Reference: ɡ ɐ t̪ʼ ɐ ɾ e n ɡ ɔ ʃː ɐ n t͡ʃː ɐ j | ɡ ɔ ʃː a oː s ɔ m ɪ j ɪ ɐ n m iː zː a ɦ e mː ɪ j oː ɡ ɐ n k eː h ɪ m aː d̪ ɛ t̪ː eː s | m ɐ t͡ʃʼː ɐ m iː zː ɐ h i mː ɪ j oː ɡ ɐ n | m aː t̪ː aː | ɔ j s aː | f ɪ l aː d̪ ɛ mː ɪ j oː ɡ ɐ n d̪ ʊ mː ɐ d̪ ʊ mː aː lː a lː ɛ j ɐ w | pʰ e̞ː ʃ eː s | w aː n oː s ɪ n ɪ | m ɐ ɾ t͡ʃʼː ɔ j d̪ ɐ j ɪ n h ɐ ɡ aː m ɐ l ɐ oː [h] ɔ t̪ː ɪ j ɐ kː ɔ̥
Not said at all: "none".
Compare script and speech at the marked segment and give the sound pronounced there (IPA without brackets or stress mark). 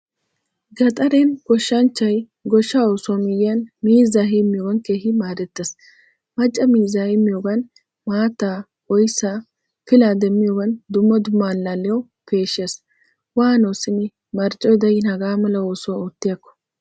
s